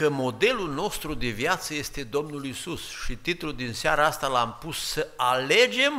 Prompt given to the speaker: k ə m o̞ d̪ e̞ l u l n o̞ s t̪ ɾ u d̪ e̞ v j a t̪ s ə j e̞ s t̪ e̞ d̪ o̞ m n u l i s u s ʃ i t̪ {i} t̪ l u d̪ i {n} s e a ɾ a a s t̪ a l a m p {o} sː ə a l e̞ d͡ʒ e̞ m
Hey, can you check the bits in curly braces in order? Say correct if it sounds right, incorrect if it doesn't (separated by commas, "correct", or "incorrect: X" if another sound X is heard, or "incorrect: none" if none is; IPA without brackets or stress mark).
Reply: correct, correct, incorrect: u